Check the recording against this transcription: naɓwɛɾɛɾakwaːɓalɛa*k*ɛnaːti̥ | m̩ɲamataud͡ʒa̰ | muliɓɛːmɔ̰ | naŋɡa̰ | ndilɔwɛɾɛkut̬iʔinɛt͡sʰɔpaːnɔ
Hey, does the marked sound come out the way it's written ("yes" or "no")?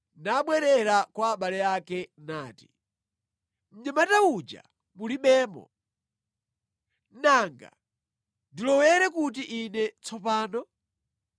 yes